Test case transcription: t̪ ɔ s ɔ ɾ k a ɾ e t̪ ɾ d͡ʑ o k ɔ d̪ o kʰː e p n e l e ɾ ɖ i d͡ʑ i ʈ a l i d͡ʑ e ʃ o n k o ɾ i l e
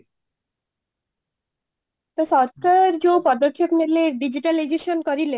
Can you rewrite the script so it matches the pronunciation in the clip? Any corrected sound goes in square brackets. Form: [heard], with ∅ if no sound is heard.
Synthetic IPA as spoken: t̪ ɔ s ɔ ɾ k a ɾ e [∅] ɾ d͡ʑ o [p] ɔ d̪ o kʰː e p n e l e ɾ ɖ i d͡ʑ i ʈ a l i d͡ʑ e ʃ o n k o ɾ i l e